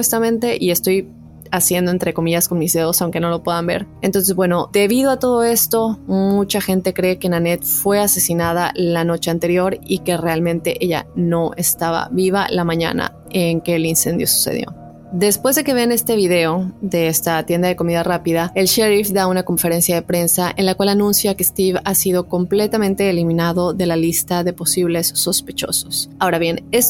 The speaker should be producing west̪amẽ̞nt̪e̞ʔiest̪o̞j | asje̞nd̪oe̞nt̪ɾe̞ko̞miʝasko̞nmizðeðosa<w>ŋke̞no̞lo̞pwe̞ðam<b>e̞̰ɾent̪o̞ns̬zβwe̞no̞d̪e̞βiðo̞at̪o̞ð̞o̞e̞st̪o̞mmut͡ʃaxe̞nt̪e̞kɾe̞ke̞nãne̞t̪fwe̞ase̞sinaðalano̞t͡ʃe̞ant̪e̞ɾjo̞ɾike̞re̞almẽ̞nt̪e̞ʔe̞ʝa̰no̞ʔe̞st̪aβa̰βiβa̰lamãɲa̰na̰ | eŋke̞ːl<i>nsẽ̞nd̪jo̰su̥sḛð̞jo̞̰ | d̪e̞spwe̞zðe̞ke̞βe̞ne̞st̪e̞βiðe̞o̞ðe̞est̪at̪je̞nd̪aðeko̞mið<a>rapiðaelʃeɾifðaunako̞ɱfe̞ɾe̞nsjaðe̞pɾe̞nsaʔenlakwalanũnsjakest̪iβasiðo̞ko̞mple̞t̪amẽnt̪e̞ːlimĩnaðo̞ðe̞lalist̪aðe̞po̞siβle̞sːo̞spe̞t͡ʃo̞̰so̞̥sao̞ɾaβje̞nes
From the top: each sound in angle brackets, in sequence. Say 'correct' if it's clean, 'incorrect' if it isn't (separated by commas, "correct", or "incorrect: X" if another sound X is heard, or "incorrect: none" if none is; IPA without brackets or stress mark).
correct, correct, correct, correct